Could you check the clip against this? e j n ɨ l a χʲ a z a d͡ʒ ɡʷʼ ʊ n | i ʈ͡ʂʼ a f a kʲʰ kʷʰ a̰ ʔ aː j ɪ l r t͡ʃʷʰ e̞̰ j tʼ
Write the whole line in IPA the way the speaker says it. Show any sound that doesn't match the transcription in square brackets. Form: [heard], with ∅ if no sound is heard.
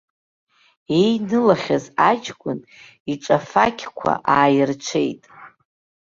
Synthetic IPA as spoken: e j n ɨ l a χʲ a z a d͡ʒ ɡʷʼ ʊ n | i ʈ͡ʂʼ a f a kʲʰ kʷʰ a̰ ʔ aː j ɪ [∅] r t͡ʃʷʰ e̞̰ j tʼ